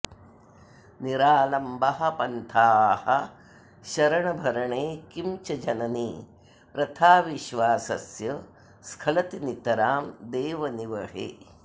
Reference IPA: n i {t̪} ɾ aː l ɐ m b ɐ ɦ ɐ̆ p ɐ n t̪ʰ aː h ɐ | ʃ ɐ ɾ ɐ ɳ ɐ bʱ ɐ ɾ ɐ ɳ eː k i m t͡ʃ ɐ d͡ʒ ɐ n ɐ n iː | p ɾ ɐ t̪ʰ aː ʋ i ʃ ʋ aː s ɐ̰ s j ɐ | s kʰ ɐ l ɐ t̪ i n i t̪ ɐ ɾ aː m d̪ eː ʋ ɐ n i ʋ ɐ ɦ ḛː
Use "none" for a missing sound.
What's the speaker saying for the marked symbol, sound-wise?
none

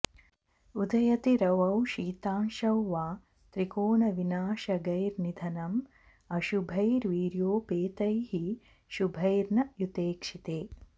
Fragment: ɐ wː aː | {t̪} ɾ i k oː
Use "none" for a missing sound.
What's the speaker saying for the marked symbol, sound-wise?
t̪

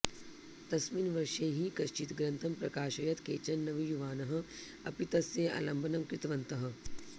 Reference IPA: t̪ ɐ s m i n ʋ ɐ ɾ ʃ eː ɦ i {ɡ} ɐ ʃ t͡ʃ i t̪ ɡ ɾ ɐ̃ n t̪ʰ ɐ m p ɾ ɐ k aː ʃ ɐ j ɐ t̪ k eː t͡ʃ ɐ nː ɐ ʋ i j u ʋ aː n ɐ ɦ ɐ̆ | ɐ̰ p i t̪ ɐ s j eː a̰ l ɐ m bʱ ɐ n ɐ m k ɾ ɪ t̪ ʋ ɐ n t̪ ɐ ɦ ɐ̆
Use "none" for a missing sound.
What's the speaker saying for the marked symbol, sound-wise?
k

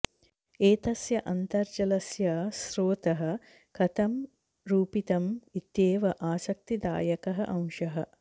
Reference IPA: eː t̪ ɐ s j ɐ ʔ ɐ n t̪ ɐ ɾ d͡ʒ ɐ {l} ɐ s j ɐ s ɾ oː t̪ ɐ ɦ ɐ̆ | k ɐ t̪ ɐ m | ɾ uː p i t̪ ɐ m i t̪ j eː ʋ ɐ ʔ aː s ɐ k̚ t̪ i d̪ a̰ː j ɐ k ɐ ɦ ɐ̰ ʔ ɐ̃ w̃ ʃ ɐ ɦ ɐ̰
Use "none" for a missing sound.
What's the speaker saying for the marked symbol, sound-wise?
l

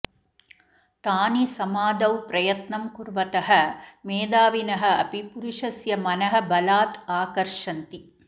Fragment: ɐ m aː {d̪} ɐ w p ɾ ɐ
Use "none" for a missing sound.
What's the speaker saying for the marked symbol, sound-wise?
d̪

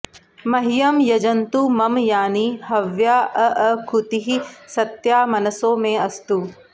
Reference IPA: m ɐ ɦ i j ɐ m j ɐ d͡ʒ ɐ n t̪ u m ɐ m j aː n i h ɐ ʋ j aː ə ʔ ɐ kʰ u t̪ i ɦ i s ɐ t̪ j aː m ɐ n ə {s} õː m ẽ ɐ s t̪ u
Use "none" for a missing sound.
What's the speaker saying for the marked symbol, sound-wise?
s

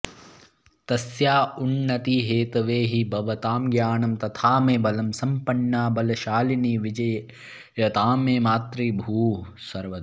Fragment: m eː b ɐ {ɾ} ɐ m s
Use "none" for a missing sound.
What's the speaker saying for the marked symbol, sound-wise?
l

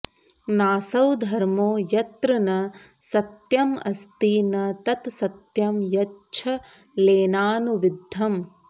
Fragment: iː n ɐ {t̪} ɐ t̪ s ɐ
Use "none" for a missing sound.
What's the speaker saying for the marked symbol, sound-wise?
t̪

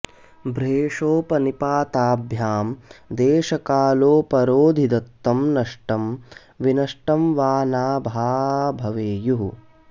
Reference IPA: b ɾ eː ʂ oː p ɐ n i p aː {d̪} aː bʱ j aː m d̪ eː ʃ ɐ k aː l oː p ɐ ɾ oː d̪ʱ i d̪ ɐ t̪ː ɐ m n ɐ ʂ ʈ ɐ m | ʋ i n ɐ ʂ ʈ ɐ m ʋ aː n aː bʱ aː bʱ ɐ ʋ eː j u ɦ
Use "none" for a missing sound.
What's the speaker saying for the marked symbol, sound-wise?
t̪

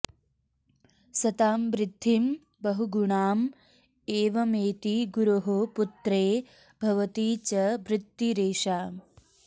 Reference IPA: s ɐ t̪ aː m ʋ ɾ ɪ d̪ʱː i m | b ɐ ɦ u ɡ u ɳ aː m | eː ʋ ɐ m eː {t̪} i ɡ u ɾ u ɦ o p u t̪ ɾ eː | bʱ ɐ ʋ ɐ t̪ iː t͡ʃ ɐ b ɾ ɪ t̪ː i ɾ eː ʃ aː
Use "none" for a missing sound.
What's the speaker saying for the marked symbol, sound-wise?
t̪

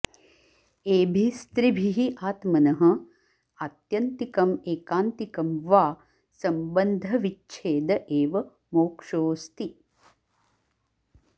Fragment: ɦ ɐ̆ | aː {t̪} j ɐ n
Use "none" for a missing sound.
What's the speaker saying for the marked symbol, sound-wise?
t̪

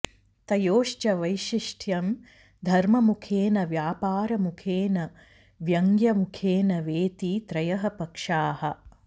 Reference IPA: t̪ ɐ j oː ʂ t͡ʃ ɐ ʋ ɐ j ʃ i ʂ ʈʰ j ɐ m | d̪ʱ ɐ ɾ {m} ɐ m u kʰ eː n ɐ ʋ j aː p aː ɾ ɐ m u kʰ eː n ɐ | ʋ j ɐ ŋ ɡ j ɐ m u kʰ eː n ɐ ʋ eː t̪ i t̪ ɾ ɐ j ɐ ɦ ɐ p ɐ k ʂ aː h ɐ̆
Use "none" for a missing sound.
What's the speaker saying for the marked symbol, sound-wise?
m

